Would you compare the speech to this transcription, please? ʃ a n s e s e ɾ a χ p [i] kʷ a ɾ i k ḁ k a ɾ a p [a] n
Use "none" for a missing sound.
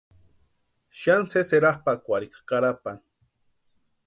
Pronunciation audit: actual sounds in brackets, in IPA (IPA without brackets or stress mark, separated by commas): a, a